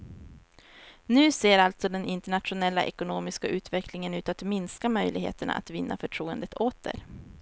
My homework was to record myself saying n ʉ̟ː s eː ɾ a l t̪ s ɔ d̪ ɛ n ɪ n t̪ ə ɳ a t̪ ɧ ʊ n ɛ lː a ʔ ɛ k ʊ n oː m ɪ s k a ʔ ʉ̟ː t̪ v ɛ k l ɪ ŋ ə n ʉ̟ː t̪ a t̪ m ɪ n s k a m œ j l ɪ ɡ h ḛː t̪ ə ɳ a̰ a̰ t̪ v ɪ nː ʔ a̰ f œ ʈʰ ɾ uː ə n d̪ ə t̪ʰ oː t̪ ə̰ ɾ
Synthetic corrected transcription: n ʉ̟ː s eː ɾ a l t̪ s ɔ d̪ ɛ n ɪ n t̪ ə ɳ a t̪ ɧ ʊ n ɛ lː a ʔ ɛ k ʊ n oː m ɪ s k a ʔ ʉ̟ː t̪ v ɛ k l ɪ ŋ ə n ʉ̟ː t̪ a t̪ m ɪ n s k a m œ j l ɪ ɡ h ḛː t̪ ə ɳ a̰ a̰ t̪ v ɪ nː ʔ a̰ f œ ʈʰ ɾ uː ə n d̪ ə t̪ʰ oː t̪ ə̰ ɾ